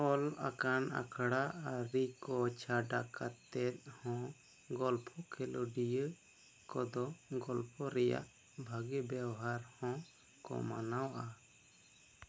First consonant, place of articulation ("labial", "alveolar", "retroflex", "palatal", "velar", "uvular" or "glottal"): alveolar